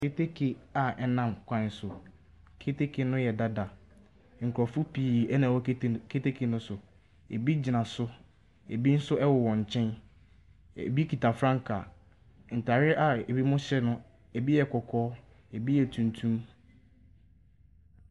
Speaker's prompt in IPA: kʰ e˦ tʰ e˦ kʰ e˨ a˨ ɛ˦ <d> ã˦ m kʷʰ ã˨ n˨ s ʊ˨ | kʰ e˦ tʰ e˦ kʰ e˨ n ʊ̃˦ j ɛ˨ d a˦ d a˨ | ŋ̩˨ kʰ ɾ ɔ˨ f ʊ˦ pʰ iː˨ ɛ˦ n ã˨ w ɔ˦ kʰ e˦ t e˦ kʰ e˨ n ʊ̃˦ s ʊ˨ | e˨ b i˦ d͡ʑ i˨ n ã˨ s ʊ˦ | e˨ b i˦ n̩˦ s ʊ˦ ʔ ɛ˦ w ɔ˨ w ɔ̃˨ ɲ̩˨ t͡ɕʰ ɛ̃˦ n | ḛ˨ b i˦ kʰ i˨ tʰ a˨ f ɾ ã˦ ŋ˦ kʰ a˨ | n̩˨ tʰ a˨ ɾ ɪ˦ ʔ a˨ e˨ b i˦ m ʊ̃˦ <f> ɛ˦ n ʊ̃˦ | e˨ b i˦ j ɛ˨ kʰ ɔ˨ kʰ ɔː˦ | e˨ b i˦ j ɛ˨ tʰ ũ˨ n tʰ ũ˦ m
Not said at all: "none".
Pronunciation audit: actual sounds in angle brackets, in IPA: n, ɕ

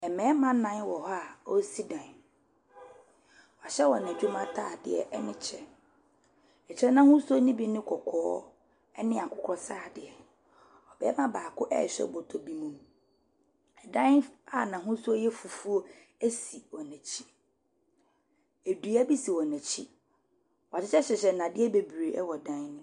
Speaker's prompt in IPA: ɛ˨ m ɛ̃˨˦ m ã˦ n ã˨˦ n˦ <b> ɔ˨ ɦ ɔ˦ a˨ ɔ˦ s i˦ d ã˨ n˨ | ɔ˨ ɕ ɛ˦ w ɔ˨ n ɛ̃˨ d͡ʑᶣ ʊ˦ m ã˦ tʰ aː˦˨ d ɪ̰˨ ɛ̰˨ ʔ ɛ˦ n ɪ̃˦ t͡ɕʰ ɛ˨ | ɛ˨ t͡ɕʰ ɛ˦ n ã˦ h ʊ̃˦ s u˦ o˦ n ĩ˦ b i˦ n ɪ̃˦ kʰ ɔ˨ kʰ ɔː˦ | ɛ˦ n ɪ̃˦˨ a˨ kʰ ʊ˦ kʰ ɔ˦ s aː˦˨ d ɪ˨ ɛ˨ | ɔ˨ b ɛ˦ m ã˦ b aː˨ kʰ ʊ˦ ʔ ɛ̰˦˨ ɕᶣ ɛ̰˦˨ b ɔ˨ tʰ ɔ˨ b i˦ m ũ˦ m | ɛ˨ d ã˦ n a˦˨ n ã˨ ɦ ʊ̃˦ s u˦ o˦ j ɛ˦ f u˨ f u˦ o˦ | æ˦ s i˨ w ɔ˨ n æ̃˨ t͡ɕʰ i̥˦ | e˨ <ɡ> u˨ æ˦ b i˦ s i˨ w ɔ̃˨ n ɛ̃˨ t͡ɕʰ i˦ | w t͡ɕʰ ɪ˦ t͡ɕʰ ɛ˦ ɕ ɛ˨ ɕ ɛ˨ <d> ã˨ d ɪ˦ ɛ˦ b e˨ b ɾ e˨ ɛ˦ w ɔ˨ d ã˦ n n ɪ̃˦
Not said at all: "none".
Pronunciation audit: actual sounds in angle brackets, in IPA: w, d, n

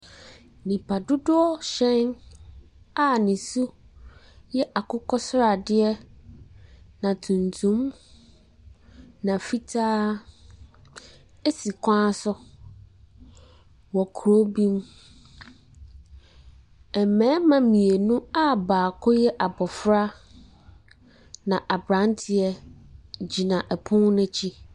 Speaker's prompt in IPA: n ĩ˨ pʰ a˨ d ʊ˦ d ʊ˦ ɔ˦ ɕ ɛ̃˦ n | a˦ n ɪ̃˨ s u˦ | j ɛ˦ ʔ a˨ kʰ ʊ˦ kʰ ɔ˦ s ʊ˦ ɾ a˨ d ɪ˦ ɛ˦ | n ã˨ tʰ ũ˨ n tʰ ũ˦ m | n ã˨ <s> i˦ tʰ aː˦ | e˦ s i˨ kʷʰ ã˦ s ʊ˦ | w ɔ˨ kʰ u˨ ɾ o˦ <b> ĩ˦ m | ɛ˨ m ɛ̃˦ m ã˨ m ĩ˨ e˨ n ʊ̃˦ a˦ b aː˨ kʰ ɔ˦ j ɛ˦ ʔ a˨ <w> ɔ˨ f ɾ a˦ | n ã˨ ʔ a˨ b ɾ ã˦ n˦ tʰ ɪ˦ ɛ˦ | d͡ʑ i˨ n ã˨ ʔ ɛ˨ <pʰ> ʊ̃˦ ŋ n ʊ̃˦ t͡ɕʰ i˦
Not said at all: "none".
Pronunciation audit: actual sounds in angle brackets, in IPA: f, b, b, pʰ

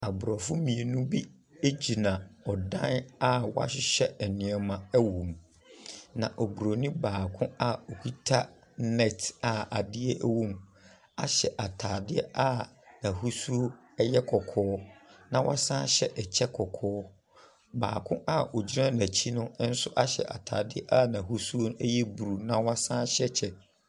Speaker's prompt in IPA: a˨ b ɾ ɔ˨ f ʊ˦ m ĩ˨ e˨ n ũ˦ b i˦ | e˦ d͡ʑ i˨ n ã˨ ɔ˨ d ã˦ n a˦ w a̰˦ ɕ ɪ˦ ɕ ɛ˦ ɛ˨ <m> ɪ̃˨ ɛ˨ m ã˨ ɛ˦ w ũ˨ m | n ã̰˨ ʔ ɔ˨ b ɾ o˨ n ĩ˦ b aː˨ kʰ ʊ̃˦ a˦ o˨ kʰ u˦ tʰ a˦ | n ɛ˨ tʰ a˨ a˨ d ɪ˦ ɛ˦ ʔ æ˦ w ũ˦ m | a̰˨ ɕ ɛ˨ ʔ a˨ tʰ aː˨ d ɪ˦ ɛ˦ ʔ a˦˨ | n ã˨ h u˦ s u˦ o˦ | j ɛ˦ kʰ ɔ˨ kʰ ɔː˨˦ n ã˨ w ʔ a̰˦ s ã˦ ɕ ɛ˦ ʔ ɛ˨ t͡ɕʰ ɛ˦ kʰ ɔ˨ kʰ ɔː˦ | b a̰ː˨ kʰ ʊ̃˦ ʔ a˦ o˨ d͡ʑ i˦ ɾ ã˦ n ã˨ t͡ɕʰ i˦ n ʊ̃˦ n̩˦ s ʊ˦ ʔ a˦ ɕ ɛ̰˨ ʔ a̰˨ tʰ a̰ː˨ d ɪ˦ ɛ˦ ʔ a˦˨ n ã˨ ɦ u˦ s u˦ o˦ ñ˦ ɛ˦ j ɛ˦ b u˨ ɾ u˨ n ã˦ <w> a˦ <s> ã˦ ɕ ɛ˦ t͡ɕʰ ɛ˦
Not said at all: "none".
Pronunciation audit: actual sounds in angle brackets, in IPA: n, w, s

